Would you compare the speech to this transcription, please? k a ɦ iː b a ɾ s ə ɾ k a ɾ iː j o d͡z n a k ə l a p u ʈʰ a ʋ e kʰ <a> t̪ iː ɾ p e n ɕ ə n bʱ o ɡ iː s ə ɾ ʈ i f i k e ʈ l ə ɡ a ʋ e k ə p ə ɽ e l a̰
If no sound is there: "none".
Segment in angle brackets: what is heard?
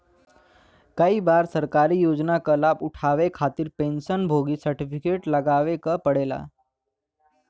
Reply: a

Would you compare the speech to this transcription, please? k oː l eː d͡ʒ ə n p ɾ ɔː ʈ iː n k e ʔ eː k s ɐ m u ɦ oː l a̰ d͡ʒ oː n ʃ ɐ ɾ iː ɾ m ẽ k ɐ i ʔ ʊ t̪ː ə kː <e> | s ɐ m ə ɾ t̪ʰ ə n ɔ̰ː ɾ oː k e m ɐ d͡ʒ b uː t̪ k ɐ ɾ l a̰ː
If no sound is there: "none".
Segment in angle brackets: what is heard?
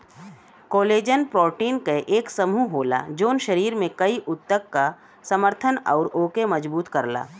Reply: a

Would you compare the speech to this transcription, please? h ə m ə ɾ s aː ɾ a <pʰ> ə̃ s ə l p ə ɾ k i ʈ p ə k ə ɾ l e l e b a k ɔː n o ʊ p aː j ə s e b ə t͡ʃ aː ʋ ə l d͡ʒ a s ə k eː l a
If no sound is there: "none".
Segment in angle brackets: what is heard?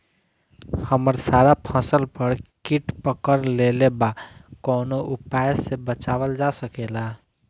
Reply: pʰ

